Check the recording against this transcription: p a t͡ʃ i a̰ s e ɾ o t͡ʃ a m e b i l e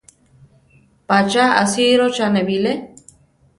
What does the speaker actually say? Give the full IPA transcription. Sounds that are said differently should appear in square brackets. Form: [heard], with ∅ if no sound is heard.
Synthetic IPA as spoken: p a t͡ʃ [a] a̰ s [i] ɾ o t͡ʃ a [n] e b i l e